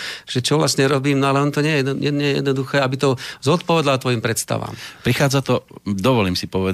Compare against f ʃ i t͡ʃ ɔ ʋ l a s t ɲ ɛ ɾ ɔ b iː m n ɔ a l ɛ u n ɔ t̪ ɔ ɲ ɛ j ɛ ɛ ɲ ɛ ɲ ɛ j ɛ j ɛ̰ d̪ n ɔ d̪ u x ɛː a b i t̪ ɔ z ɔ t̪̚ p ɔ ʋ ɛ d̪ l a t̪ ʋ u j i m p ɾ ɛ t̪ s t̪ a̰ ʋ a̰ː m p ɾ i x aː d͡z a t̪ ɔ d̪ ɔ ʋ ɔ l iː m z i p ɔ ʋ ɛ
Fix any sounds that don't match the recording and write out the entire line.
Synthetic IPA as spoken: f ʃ ɛ t͡ʃ ɔ ʋ l a s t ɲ ɛ ɾ ɔ b iː m n ɔ a l ɛ ɔ n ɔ t̪ ɔ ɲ ɛ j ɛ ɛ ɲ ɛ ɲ ɛ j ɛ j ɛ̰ d̪ n ɔ d̪ u x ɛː a b i t̪ ɔ z ɔ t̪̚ p ɔ ʋ ɛ d̪ l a t̪ ʋ ɔ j i m p ɾ ɛ t̪ s t̪ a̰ ʋ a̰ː m p ɾ i x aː d͡z a t̪ ɔ d̪ ɔ ʋ ɔ l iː m s i p ɔ ʋ ɛ